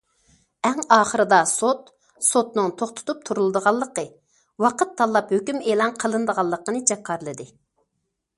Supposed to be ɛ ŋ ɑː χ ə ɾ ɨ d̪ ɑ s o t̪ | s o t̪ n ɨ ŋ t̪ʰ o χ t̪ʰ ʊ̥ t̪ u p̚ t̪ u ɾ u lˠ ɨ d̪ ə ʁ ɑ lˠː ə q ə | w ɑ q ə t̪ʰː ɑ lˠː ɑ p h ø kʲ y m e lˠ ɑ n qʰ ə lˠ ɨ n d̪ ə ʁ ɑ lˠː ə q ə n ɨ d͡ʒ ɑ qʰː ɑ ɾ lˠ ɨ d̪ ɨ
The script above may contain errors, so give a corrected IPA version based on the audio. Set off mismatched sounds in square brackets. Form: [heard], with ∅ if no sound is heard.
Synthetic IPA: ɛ ŋ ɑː χ ə ɾ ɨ d̪ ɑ s o t̪ | s o t̪ n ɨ ŋ t̪ʰ o χ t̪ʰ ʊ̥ t̪ u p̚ [t̪ʰ] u ɾ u lˠ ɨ d̪ ə ʁ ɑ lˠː ə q ə | w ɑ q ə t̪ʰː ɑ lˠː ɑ p h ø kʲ y m e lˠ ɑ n qʰ ə lˠ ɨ n d̪ ə ʁ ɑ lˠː ə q ə n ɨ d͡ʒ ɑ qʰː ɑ ɾ lˠ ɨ d̪ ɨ